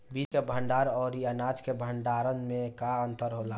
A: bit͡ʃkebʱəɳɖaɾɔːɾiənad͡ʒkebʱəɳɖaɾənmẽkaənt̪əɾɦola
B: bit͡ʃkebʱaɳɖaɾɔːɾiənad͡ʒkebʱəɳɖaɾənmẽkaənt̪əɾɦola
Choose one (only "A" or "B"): A